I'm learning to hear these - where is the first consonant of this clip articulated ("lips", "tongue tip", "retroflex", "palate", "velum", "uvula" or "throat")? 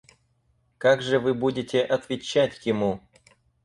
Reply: velum